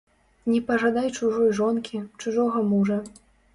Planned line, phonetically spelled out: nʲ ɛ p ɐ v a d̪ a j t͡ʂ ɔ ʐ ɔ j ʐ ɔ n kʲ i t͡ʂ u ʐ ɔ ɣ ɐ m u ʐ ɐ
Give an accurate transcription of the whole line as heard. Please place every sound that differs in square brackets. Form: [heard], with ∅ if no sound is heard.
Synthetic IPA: nʲ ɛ p ɐ [ʐ] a d̪ a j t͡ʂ [u] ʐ ɔ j ʐ ɔ n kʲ i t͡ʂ u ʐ ɔ ɣ ɐ m u ʐ ɐ